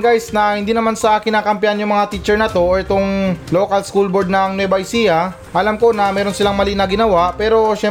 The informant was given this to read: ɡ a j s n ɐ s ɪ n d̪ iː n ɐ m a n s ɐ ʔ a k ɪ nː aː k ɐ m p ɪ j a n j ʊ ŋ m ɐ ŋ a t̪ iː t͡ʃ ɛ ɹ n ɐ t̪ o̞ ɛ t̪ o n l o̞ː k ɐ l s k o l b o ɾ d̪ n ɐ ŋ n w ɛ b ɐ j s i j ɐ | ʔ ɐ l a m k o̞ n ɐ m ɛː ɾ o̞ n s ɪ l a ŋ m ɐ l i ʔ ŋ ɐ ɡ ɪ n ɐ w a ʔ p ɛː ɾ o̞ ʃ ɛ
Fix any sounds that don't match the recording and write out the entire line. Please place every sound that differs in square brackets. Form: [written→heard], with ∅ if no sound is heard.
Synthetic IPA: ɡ a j s n ɐ [s→h] ɪ n d̪ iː n ɐ m a n s ɐ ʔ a k ɪ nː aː k ɐ m p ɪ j a n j ʊ ŋ m ɐ ŋ a t̪ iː t͡ʃ ɛ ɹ n ɐ t̪ o̞ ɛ t̪ o [n→ŋ] l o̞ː k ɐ l s k [o→u] l b o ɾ d̪ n ɐ ŋ n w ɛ b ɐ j s i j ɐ | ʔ ɐ l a m k o̞ n ɐ m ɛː ɾ o̞ n s ɪ l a ŋ m ɐ l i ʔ [ŋ→n] ɐ ɡ ɪ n ɐ w a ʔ p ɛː ɾ o̞ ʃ ɛ